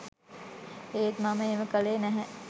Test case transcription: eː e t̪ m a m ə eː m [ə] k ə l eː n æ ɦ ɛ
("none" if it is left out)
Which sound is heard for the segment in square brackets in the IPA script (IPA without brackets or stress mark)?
ə